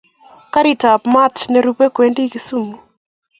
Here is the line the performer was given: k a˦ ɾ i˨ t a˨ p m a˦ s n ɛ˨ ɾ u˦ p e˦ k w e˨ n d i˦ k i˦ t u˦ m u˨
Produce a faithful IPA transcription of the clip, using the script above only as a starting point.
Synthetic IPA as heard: k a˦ ɾ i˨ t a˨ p m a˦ t n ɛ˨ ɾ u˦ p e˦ k w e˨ n d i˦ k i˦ s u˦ m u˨